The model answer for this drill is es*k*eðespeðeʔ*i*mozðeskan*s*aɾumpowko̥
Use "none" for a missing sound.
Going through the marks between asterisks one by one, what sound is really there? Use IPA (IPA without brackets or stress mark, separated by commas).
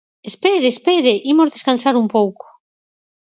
p, i, s